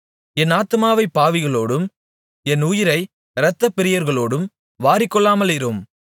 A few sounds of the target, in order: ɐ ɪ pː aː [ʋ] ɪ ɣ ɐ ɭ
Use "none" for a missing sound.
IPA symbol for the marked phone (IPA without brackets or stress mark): ʋ